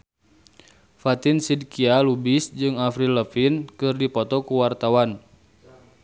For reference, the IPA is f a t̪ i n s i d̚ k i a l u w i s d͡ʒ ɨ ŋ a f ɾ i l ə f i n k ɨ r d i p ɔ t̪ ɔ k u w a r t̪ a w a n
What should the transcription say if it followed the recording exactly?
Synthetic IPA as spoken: f a t̪ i n s i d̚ k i a l u b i s d͡ʒ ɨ ŋ a f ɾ i l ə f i n k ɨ r d i p ɔ t̪ ɔ k u w a r t̪ a w a n